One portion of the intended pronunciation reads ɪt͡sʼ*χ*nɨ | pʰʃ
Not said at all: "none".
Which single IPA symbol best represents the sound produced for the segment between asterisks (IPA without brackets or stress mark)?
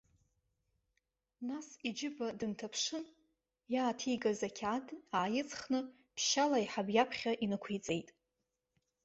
χ